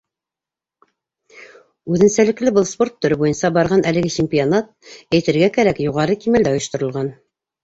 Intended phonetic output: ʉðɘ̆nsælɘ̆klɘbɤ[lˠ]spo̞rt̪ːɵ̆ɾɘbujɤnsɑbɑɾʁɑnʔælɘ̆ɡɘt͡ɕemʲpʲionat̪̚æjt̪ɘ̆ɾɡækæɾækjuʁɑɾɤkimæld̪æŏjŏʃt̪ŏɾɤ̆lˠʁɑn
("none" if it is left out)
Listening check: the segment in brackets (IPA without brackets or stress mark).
lˠ